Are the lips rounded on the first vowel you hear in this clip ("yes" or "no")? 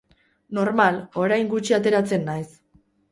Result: yes